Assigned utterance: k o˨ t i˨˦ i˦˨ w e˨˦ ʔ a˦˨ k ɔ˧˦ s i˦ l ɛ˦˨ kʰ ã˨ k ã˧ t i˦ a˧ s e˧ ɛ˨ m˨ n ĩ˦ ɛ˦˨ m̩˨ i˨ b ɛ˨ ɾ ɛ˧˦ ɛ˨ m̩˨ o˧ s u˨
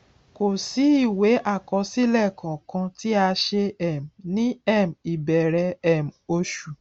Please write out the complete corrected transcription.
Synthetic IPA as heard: k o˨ s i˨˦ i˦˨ w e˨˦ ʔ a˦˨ k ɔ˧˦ s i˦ l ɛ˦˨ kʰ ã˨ k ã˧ t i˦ a˧ ʃ e˧ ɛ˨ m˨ n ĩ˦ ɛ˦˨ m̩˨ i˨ b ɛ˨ ɾ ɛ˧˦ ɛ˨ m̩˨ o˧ ʃ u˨